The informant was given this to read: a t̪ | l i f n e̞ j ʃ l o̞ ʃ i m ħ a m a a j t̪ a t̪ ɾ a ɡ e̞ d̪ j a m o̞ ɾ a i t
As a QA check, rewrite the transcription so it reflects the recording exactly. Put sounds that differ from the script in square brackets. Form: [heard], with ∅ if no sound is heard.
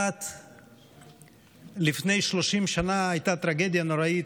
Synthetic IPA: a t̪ | l i f n e̞ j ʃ l o̞ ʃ i m [ʃ] a [n] a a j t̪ a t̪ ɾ a ɡ e̞ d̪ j a [n] o̞ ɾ a i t